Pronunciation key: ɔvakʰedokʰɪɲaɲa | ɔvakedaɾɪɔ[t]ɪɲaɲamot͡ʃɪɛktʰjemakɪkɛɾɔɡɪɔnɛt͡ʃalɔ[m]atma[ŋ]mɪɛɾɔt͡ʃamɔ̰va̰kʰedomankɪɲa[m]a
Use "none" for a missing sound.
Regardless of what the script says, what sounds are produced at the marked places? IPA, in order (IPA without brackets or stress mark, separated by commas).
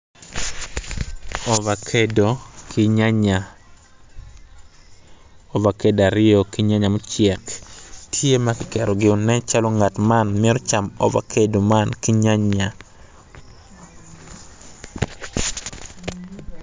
k, ŋ, n, ɲ